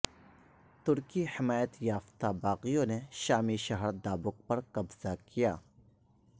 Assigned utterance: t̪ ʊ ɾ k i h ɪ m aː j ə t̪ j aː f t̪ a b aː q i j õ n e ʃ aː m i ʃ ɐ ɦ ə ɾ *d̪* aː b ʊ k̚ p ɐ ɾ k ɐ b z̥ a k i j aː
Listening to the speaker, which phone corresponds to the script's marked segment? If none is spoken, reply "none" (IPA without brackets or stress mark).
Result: d̪